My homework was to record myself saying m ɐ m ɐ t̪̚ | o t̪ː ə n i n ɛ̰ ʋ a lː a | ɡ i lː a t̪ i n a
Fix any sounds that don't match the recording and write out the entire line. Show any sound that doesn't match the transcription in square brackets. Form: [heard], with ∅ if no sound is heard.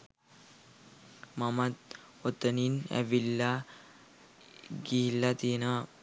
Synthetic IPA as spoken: m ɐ m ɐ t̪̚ | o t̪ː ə n i n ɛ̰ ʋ [i] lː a | ɡ i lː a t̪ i n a

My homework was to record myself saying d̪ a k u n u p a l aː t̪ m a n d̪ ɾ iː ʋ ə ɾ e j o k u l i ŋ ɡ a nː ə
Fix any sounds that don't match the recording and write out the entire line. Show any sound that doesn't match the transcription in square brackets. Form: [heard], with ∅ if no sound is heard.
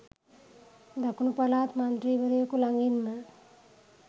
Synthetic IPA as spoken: d̪ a k u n u p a l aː t̪ m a n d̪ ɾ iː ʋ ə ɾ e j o k u l [a] ŋ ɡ [i] nː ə

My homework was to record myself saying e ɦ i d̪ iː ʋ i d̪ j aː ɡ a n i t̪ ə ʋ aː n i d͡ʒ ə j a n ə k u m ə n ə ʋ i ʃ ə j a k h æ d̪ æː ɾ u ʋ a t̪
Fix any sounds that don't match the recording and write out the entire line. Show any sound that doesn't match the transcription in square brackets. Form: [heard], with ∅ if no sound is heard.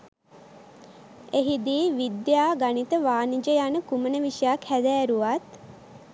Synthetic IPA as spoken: e ɦ i d̪ iː ʋ i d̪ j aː ɡ a n i t̪ ə ʋ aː n i d͡ʒ ə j a n ə k u m ə n ə ʋ i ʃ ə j a k h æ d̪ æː ɾ u ʋ a t̪

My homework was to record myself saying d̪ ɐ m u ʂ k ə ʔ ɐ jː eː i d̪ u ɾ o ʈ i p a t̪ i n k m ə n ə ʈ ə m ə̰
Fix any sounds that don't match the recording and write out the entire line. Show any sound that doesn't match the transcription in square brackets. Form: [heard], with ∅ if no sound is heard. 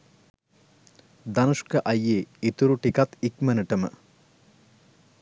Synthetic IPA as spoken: d̪ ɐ [n] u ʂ k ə ʔ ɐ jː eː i [t̪] u ɾ [u] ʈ i [k] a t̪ i [∅] k m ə n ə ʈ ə m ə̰

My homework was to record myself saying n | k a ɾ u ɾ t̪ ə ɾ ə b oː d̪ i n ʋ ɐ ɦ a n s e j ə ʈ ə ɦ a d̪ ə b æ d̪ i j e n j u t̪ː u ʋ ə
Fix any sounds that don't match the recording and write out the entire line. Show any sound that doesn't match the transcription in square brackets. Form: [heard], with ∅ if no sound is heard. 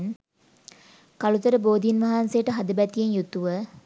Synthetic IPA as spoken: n | k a [l] u [∅] t̪ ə ɾ ə b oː d̪ i n ʋ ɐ ɦ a n s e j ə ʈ ə ɦ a d̪ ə b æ [t̪] i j e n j u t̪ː u ʋ ə

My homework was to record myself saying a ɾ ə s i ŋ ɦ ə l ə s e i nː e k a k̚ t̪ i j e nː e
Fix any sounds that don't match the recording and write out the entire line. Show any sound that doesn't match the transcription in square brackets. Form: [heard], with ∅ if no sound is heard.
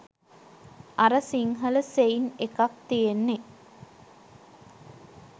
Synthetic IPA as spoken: a ɾ ə s i ŋ ɦ ə l ə s e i [n] e k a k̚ t̪ i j e nː e

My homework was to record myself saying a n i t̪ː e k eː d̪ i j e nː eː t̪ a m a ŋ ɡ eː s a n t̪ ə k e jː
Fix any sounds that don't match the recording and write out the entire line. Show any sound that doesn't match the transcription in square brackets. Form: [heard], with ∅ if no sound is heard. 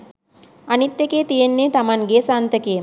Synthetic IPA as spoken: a n i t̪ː e k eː [t̪] i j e nː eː t̪ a m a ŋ ɡ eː s a n t̪ ə k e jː

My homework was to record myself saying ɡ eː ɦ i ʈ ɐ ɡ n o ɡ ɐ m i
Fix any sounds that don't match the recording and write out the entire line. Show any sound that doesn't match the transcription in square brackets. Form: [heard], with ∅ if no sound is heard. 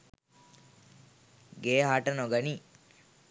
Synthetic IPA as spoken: ɡ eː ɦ [a] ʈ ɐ [∅] n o ɡ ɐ [n] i

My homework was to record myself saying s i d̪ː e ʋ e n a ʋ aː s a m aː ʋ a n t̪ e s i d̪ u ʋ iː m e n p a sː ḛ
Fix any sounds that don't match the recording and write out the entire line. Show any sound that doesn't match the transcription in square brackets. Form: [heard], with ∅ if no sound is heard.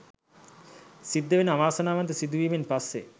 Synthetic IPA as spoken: s i d̪ː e ʋ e n a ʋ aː s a [n] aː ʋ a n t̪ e s i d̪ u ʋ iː m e n p a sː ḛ

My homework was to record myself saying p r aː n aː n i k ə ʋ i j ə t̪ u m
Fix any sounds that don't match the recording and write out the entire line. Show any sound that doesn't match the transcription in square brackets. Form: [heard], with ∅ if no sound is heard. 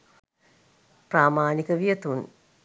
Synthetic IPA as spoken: p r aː [m] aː n i k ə ʋ i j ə t̪ u [n]

